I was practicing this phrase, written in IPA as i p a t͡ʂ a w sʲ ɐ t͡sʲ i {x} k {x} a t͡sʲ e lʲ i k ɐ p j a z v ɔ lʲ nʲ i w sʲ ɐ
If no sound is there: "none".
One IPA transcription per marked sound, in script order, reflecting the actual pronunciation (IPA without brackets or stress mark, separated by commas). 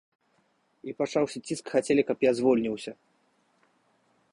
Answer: s, x